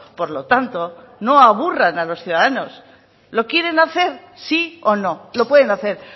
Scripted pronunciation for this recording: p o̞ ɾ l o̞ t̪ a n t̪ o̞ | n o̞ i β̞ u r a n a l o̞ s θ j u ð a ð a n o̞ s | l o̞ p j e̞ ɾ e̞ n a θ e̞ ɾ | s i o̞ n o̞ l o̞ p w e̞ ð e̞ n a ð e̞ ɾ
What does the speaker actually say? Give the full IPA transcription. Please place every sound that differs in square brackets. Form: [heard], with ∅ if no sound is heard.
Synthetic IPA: p o̞ ɾ l o̞ t̪ a n t̪ o̞ | n o̞ [a] β̞ u r a n a l o̞ s θ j u ð a ð a n o̞ s | l o̞ [k] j e̞ ɾ e̞ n a θ e̞ ɾ | s i o̞ n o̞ l o̞ p w e̞ ð e̞ n a [θ] e̞ ɾ

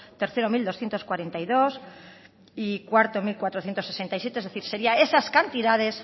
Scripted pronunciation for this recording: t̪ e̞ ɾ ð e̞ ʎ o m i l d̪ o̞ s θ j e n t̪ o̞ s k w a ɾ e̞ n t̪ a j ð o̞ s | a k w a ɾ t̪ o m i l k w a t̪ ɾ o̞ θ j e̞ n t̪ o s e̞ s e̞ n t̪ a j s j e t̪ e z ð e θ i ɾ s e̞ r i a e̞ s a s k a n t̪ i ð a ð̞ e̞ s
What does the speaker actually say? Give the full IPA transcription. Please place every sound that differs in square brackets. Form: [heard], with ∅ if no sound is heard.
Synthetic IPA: t̪ e̞ ɾ [θ] e̞ [ɾ] o m i l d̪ o̞ s θ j e n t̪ o̞ s k w a ɾ e̞ n t̪ a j ð o̞ s | [i] k w a ɾ t̪ o m i l k w a t̪ ɾ o̞ θ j e̞ n t̪ o s e̞ s e̞ n t̪ a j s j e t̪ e z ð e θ i ɾ s e̞ [ɾ] i a e̞ s a s k a n t̪ i ð a ð̞ e̞ s

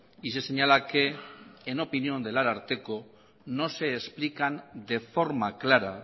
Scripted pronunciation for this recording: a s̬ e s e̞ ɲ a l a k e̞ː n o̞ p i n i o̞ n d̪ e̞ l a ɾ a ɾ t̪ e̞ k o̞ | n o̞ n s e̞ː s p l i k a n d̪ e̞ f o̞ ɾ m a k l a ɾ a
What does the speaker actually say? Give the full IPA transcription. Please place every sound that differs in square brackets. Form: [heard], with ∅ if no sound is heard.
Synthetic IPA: [i] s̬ e s e̞ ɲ a l a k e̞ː n o̞ p i n i o̞ n d̪ e̞ l a ɾ a ɾ t̪ e̞ k o̞ | n o̞ [∅] s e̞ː s p l i k a n d̪ e̞ f o̞ ɾ m a k l a ɾ a

